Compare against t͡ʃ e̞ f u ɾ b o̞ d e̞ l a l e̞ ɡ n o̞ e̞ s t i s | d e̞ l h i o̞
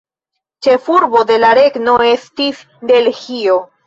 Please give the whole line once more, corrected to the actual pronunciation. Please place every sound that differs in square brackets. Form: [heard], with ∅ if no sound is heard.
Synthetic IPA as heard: t͡ʃ e̞ f u ɾ b o̞ d e̞ l a [ɾ] e̞ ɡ n o̞ e̞ s t i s | d e̞ l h i o̞

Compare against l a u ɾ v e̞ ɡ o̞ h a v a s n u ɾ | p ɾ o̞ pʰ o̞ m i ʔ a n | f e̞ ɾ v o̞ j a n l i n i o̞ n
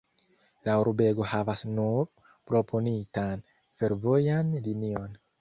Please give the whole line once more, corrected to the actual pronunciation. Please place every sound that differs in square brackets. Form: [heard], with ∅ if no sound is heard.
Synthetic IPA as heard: l a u ɾ [b] e̞ ɡ o̞ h a v a s n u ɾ | p ɾ o̞ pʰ o̞ [n] i [t] a n | f e̞ ɾ v o̞ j a n l i n i o̞ n

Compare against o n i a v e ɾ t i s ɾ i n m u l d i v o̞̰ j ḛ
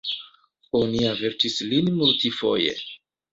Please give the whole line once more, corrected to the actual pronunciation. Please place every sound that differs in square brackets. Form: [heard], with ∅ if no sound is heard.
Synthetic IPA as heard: o n i a v e ɾ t i s [l] i n m u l [t] i [f] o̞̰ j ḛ

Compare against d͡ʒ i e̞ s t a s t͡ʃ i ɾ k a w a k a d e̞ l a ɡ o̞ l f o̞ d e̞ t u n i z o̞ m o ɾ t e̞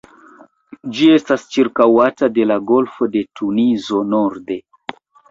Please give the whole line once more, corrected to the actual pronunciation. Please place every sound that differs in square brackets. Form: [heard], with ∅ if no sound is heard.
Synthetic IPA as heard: d͡ʒ i e̞ s t a s t͡ʃ i ɾ k a w a [t] a d e̞ l a ɡ o̞ l f o̞ d e̞ t u n i z o̞ [n] o ɾ [d] e̞

